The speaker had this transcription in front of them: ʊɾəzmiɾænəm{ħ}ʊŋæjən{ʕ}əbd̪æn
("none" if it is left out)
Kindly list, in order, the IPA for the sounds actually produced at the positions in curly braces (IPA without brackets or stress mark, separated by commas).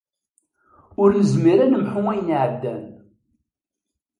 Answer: ħ, ʕ